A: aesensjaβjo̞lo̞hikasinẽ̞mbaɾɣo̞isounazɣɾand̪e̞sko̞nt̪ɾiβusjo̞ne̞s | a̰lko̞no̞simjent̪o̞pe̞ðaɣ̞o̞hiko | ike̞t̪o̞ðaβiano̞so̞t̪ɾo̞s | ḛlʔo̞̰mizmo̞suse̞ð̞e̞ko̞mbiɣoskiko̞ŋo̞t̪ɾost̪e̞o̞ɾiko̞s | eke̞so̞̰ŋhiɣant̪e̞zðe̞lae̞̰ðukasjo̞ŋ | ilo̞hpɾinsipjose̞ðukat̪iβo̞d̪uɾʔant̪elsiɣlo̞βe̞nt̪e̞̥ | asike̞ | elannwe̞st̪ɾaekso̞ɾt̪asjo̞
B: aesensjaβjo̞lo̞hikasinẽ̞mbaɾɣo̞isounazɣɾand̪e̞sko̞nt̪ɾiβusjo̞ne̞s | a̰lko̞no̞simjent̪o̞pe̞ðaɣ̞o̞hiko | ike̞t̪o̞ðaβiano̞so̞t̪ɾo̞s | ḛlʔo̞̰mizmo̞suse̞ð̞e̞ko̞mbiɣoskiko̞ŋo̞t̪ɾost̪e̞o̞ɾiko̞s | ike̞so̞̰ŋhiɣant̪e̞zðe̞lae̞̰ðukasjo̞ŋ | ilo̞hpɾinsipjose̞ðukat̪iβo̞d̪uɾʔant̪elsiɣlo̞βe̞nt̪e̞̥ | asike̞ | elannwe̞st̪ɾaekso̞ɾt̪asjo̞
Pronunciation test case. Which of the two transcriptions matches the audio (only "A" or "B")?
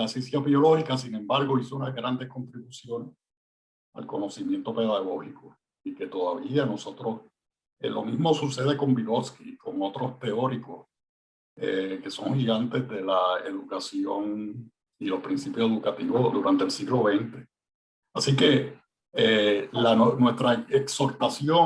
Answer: A